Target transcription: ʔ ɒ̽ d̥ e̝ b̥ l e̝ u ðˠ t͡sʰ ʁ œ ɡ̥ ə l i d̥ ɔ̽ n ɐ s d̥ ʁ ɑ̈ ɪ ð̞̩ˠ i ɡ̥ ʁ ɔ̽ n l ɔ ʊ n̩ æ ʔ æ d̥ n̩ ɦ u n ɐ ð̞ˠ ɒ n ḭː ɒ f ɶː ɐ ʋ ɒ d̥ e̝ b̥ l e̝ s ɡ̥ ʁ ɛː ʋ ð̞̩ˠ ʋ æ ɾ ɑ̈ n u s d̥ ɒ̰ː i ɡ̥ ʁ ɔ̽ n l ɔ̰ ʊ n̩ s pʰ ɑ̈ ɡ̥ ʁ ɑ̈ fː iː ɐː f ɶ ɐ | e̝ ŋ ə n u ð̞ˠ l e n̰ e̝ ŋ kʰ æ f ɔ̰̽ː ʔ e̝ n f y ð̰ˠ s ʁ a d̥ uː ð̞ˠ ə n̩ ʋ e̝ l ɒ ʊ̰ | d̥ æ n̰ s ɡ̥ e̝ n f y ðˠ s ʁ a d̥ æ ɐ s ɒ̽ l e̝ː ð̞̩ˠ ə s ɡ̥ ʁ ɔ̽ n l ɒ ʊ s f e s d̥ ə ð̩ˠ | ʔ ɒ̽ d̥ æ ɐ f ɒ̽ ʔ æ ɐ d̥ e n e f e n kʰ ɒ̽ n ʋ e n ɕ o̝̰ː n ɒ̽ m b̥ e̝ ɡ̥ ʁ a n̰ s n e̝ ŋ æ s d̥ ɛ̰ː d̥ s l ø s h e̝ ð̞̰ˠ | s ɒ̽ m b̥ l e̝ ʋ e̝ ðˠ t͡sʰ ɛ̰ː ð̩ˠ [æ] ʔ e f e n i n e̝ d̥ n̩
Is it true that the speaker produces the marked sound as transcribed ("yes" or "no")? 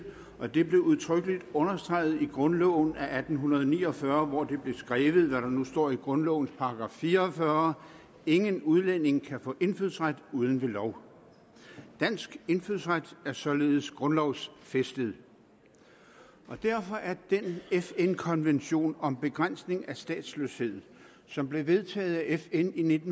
yes